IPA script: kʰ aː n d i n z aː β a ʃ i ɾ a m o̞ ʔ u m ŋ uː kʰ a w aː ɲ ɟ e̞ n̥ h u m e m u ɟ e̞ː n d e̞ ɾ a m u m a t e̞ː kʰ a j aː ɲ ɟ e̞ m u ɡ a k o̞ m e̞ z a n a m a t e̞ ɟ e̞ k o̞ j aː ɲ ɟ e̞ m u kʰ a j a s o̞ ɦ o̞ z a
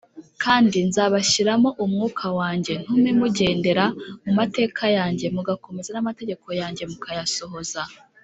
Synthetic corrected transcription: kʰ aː n d i n z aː β a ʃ i ɾ a m o̞ ʔ u m ŋ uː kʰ a w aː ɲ ɟ e̞ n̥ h u m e m u ɟ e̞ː n d e̞ ɾ a m u m a t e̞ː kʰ a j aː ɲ ɟ e̞ m u ɡ a k o̞ m e̞ z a n a m a t e̞ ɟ e̞ k o̞ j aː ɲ ɟ e̞ m u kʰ a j a s o̞ ɦ o̞ z a